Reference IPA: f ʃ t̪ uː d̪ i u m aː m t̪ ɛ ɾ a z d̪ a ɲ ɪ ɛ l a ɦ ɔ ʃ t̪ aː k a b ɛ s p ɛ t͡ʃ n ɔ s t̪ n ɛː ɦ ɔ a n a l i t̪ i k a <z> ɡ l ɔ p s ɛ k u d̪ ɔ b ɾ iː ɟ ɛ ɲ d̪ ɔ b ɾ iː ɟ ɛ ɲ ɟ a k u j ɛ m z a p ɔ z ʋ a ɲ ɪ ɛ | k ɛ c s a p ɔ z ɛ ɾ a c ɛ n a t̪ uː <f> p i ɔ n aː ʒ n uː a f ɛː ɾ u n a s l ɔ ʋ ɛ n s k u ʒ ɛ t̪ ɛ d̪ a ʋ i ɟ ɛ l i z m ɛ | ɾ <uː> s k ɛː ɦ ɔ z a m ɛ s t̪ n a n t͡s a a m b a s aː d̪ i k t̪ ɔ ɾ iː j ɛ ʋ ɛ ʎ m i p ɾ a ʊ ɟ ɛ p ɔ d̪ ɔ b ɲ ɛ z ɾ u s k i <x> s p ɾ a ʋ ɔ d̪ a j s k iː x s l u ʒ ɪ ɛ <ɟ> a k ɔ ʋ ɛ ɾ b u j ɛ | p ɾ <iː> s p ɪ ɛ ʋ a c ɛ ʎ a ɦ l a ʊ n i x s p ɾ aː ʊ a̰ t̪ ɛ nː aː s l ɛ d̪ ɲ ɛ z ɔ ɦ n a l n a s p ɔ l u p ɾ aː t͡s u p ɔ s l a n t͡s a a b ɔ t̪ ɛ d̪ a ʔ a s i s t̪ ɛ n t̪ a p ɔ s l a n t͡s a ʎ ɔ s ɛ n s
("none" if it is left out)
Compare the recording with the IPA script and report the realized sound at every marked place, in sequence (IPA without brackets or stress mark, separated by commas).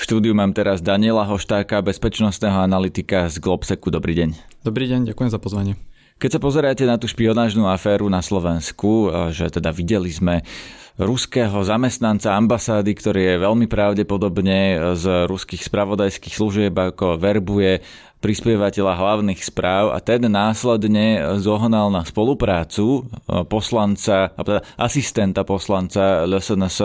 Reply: z, ʃ, u, x, b, i